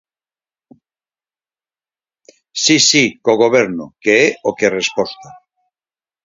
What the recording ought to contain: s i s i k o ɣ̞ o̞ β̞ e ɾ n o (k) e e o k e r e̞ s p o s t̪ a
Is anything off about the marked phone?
no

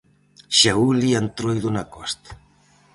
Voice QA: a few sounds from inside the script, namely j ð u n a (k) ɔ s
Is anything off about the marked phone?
no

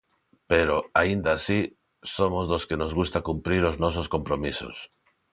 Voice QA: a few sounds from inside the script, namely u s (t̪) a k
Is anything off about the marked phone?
no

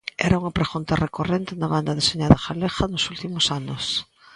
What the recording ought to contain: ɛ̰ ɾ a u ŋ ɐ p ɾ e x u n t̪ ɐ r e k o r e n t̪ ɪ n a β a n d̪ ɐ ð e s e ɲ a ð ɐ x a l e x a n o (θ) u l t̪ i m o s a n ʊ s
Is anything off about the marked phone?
yes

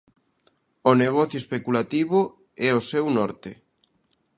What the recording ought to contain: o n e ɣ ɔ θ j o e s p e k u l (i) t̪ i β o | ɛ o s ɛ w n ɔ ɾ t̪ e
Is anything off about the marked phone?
yes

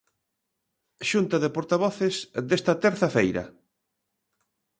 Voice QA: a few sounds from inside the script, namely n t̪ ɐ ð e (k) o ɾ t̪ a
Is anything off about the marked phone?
yes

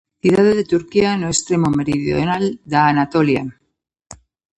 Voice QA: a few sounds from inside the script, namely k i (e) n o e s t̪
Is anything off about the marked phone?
yes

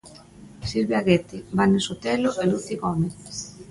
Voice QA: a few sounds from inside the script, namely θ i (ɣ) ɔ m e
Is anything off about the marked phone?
no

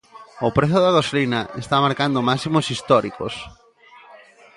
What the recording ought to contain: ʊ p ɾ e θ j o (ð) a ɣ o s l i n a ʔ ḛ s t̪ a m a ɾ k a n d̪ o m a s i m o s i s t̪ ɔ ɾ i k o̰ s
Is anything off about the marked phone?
no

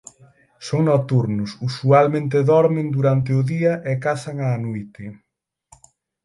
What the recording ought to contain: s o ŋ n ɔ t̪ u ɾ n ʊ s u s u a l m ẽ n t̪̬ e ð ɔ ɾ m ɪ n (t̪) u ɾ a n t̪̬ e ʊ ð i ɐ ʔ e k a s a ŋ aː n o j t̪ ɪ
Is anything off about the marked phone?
yes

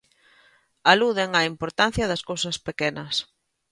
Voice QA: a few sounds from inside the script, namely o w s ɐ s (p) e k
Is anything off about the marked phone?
no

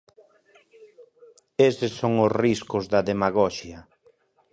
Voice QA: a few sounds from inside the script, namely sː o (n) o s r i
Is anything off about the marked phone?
yes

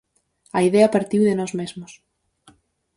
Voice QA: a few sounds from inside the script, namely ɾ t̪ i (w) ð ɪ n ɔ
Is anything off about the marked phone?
no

